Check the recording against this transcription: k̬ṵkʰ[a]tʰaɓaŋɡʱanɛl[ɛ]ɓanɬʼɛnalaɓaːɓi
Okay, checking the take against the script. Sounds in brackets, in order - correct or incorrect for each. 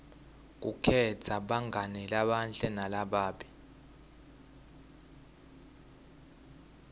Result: incorrect: ɛ, incorrect: a

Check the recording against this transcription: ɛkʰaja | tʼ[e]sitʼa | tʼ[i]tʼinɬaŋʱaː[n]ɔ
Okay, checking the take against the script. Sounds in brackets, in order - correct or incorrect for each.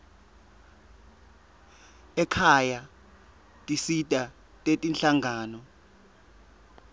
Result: incorrect: i, incorrect: e, correct

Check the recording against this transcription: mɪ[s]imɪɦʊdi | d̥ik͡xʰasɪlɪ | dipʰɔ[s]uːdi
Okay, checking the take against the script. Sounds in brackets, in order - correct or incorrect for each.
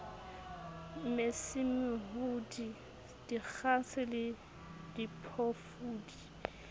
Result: correct, incorrect: f

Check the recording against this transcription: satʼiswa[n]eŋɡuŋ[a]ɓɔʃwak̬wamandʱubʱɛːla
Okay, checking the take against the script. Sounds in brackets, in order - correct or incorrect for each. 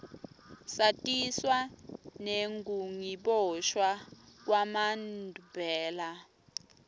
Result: correct, incorrect: i

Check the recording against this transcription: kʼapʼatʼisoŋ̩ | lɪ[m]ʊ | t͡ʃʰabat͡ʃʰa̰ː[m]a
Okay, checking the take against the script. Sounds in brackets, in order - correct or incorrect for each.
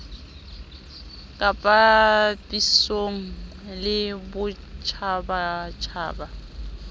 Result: incorrect: b, incorrect: b

